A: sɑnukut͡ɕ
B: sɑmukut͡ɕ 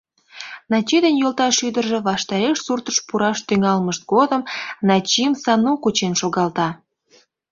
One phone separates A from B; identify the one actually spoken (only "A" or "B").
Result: A